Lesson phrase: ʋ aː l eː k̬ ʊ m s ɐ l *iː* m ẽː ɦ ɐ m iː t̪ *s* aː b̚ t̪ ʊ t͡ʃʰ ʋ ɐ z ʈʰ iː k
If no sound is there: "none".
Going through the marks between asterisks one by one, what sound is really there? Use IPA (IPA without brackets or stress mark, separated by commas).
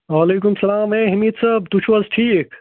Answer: aː, s